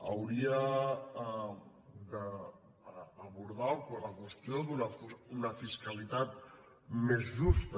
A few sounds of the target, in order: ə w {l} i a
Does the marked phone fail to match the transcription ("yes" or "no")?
yes